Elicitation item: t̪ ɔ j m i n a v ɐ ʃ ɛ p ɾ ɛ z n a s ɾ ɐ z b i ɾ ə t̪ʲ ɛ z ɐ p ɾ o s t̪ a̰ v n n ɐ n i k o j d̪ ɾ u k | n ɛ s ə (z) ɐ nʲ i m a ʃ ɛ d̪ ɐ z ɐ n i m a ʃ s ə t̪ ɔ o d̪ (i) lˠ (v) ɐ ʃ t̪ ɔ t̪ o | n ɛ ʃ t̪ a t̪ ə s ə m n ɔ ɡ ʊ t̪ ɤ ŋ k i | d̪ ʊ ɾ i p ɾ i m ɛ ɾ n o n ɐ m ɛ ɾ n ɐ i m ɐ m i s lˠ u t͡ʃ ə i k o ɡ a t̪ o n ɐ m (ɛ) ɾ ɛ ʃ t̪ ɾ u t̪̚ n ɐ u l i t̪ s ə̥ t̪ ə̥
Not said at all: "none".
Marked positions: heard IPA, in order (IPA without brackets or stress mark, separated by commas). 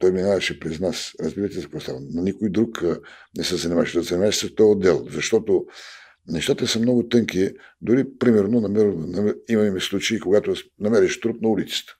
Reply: z, ɛ, z, ɛ